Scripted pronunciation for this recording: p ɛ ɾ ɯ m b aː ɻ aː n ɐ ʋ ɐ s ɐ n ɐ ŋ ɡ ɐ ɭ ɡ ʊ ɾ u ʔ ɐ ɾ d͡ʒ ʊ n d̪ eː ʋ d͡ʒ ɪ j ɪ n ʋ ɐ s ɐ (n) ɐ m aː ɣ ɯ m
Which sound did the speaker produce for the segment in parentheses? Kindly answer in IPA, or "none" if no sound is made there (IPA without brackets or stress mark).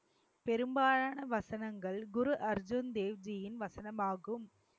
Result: n